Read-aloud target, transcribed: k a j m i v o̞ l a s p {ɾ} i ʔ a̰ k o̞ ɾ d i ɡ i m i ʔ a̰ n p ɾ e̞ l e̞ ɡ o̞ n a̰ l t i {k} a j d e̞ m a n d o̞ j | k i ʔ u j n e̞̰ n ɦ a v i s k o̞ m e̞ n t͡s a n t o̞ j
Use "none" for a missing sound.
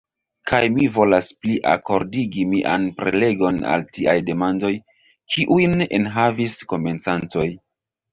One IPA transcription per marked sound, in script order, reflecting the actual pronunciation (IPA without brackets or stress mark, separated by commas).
l, none